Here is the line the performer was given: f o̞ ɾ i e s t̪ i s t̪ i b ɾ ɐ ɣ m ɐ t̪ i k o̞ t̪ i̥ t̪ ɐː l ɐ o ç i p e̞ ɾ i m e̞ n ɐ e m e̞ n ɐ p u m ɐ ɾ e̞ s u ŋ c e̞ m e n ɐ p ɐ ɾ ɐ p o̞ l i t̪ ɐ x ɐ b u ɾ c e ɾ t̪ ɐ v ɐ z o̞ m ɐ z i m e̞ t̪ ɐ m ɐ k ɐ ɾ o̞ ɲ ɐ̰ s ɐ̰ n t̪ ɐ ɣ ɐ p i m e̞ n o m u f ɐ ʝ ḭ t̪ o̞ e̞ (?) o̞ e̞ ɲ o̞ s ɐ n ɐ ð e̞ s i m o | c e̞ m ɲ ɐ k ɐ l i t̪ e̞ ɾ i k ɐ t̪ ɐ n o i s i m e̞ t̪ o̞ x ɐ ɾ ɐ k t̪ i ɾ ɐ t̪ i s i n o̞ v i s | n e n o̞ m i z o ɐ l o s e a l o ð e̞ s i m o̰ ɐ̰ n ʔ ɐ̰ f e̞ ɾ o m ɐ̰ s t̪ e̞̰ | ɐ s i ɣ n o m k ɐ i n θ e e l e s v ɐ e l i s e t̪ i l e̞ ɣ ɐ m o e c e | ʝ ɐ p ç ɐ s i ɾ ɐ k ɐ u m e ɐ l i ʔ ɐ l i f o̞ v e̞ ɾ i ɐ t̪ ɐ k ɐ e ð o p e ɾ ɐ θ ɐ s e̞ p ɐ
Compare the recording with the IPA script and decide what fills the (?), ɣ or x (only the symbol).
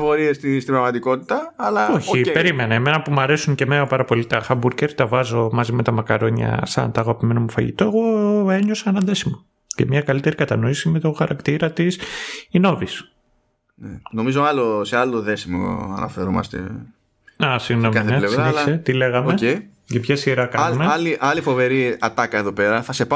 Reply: ɣ